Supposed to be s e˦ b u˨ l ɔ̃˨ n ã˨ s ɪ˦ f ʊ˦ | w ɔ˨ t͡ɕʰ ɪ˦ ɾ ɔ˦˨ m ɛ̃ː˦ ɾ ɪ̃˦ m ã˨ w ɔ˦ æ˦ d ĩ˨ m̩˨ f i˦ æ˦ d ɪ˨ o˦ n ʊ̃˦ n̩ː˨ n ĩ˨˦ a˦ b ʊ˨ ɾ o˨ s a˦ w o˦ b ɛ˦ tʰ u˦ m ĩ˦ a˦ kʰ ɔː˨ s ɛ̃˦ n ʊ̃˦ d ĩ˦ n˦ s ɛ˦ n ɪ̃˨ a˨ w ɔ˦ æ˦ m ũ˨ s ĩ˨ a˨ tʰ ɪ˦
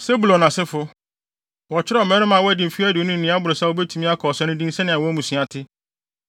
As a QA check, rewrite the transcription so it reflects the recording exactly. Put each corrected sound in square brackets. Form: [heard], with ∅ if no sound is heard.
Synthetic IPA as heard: s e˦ b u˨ l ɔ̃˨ n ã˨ s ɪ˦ f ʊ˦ | w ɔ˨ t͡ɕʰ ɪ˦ ɾ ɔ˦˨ m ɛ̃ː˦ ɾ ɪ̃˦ m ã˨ w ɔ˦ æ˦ d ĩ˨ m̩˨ f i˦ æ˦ d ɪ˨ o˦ n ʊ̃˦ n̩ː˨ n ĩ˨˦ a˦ b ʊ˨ ɾ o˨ s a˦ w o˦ b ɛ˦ tʰ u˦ m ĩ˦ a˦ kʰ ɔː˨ s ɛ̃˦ n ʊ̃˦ d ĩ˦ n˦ s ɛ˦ n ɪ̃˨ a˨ w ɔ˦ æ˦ m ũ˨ s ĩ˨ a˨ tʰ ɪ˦